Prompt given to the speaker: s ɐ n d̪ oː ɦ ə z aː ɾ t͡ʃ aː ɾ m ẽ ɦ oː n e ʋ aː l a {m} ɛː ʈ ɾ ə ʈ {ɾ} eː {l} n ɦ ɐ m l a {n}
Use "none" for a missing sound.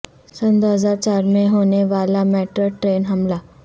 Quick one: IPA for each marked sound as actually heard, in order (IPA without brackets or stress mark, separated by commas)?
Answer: m, ɾ, none, none